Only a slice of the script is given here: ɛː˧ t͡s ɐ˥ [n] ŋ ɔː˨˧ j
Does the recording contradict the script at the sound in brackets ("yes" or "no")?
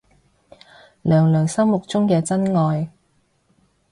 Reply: no